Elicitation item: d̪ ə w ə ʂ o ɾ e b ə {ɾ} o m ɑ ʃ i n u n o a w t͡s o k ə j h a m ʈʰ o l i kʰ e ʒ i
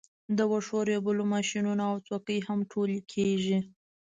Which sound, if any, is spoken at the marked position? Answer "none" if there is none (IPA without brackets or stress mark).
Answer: l